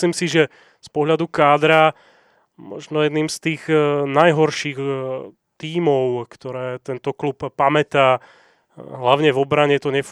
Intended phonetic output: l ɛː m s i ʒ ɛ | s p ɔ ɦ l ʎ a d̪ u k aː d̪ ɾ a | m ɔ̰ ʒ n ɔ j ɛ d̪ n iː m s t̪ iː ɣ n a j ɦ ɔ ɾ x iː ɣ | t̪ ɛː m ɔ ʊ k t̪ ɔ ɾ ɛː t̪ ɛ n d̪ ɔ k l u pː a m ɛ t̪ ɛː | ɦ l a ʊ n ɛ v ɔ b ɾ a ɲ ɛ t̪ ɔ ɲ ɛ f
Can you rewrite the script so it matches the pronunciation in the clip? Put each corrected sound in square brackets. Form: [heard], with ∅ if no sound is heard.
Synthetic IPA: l [iː] m s i ʒ ɛ | s p ɔ ɦ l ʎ a d̪ u k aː d̪ ɾ a | m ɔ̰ ʒ n ɔ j ɛ d̪ n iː m s t̪ iː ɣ n a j ɦ ɔ ɾ [ʃ] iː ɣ | t̪ [iː] m ɔ ʊ k t̪ ɔ ɾ ɛː t̪ ɛ n [t̪] ɔ k l u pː a m ɛ t̪ [aː] | ɦ l a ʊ [ɲ] ɛ v ɔ b ɾ a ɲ ɛ t̪ ɔ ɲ ɛ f